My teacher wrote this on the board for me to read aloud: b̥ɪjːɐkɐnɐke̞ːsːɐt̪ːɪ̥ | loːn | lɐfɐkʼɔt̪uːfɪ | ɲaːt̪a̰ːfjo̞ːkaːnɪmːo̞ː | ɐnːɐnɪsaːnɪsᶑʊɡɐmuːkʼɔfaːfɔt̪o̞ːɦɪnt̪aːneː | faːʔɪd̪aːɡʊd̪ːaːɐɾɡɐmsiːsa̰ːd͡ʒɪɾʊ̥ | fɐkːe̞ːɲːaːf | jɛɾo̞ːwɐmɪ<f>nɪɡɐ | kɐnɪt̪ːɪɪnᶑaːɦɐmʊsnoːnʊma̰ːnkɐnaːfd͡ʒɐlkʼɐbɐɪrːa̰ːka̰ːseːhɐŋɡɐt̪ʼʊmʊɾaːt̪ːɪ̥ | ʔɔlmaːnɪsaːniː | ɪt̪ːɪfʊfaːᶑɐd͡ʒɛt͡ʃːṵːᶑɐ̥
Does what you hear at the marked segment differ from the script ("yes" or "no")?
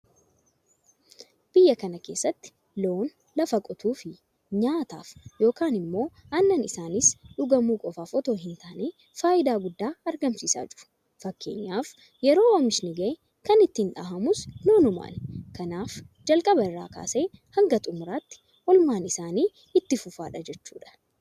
yes